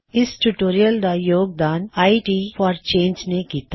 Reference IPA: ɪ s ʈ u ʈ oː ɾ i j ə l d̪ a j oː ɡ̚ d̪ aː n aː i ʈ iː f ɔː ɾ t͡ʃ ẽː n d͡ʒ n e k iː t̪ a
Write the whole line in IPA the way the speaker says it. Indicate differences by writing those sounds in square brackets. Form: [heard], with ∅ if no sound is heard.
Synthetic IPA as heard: ɪ s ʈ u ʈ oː ɾ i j ə l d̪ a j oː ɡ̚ d̪ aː n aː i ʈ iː f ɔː ɾ t͡ʃ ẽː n d͡ʒ n e k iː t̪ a